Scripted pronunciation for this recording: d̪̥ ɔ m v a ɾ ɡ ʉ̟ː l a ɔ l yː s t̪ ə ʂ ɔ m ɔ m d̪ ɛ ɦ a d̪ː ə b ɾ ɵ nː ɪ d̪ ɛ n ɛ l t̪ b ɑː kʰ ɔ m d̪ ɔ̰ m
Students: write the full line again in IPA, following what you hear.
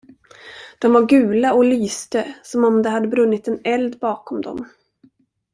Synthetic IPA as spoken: d̪̥ ɔ m v a ɾ ɡ ʉ̟ː l a ɔ l yː s t̪ ə s ɔ m ɔ m d̪ ɛ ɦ a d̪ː ə b ɾ ɵ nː ɪ t̪ ɛ n ɛ l d̪ b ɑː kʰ ɔ m d̪ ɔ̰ m